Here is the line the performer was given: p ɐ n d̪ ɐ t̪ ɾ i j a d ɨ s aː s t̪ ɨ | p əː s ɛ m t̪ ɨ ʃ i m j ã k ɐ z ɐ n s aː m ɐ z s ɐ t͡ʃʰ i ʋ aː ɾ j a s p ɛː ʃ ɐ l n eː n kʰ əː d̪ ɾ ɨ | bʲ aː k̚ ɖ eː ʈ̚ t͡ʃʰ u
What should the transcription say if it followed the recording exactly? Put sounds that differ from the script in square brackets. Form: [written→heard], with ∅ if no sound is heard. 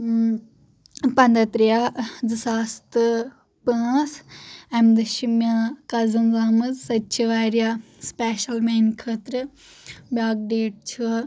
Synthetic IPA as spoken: p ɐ n d̪ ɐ t̪ ɾ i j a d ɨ s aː s t̪ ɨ | p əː s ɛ m [t̪→d̪] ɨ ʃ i m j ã k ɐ z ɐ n [s→z] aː m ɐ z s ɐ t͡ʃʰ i ʋ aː ɾ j a s p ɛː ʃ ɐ l [n→m] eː n kʰ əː [d̪→t̪] ɾ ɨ | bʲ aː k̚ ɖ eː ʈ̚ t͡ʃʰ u

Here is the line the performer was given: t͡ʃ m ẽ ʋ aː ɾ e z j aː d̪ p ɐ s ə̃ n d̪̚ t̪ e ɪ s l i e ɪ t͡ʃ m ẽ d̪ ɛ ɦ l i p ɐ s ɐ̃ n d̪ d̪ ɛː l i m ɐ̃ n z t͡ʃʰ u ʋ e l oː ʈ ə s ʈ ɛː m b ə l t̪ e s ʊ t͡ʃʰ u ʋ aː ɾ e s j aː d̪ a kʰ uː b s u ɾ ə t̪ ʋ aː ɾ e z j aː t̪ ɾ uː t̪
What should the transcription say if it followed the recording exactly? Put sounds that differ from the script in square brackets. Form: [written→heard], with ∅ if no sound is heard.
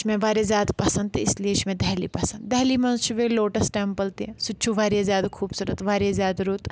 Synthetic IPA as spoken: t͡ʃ m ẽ ʋ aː ɾ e z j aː d̪ p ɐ s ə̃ n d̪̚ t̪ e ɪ s l i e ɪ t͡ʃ m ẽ d̪ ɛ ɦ l i p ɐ s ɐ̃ n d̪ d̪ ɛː l i m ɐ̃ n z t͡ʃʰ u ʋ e l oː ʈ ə s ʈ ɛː m [b→p] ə l t̪ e s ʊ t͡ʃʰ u ʋ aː ɾ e [s→z] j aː d̪ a kʰ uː b s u ɾ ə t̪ ʋ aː ɾ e z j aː [t̪→d̪] ɾ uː t̪

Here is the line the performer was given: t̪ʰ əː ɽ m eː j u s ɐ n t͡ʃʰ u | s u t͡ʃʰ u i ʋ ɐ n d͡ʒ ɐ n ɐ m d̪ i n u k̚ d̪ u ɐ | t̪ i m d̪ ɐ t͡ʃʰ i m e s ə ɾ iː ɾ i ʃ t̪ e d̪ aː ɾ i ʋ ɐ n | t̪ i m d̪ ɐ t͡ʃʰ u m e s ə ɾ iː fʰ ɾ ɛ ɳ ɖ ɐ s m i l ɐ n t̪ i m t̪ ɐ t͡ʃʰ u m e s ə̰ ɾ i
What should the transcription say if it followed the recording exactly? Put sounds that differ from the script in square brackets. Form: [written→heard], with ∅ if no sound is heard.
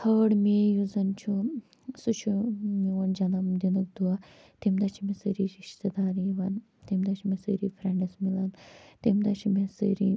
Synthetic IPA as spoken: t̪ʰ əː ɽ m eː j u [s→z] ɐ n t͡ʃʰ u | s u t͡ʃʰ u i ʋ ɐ n d͡ʒ ɐ n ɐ m d̪ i n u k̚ d̪ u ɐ | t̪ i m d̪ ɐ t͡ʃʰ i m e s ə ɾ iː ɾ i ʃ t̪ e d̪ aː ɾ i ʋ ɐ n | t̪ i m d̪ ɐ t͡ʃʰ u m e s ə ɾ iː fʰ ɾ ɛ ɳ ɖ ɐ s m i l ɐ n t̪ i m [t̪→d̪] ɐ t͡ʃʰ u m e s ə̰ ɾ i

